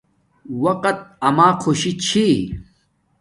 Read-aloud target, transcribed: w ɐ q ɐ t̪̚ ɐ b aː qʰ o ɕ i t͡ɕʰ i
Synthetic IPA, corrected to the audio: w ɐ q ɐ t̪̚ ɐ m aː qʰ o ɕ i t͡ɕʰ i

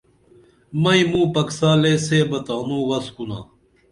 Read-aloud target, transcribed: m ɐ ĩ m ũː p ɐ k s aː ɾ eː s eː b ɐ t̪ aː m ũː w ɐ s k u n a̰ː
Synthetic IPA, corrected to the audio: m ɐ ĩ m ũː p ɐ k s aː l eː s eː b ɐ t̪ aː n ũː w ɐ s k u n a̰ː

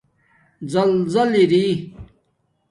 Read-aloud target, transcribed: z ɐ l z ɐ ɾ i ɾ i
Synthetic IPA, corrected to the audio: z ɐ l z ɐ l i ɾ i

